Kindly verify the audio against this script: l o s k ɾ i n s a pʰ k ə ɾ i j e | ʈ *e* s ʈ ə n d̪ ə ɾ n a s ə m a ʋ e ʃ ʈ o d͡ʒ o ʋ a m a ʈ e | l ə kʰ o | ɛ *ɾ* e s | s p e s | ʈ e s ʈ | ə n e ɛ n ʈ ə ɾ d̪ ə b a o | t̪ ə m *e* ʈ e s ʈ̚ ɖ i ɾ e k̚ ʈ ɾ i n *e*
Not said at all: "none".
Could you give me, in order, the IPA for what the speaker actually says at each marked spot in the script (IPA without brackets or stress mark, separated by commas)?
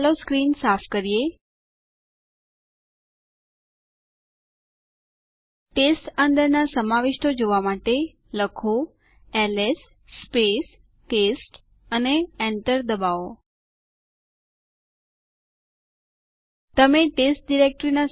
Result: e, l, e, a